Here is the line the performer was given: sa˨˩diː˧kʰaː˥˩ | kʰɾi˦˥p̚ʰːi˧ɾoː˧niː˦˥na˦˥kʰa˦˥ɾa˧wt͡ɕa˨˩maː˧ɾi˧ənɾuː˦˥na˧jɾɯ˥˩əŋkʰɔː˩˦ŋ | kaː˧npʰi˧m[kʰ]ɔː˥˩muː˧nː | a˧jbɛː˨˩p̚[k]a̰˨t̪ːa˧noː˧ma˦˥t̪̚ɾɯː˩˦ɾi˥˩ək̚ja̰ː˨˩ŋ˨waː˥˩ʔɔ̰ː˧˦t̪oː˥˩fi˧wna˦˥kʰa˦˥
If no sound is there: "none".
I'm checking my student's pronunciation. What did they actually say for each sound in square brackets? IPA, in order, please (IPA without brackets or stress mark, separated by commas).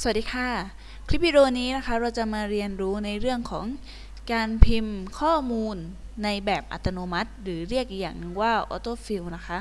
kʰ, ʔ